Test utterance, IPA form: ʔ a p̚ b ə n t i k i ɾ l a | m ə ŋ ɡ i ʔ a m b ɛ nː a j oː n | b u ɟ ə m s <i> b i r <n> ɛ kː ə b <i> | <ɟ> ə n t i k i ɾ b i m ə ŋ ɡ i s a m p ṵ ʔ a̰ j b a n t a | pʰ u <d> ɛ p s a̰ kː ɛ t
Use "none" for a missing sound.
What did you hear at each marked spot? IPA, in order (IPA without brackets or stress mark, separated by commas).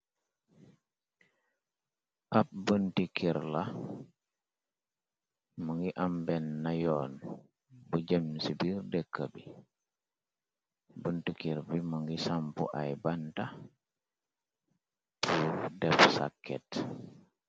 i, d, i, b, d